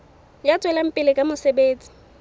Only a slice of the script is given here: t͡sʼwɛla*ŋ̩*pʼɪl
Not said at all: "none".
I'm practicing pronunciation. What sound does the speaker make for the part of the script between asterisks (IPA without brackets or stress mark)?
m̩